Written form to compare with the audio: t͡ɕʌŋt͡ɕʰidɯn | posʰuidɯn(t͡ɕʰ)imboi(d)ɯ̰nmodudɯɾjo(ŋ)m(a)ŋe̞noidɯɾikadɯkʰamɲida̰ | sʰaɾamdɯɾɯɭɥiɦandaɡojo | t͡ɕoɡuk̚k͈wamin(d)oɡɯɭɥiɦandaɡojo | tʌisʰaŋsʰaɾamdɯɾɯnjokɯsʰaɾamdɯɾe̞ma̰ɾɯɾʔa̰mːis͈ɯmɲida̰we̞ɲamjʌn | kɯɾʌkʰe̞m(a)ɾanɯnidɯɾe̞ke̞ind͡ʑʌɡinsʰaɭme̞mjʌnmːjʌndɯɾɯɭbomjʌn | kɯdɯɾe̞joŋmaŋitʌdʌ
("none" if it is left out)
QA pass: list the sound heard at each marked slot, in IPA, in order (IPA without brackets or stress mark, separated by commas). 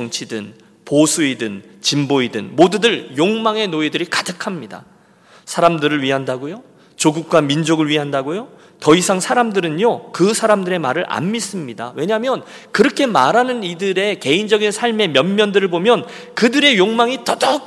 t͡ɕ, d, ŋ, a, d͡ʑ, a